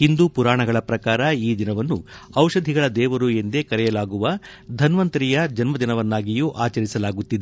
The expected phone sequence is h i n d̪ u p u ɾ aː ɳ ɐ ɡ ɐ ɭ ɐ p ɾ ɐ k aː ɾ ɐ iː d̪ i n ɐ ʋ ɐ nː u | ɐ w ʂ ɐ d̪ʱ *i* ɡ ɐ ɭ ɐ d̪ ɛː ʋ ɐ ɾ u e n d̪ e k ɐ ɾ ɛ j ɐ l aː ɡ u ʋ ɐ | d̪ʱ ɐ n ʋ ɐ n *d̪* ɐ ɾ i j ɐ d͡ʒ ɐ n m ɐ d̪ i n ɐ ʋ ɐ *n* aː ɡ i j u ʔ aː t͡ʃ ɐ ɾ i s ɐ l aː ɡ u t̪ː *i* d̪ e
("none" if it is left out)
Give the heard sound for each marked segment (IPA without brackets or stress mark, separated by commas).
i, t̪, nː, i